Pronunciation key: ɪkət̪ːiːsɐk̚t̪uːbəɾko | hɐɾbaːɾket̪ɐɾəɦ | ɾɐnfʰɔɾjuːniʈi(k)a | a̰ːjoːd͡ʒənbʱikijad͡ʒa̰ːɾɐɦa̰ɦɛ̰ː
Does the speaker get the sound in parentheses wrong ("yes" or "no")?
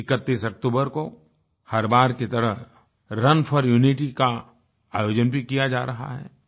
no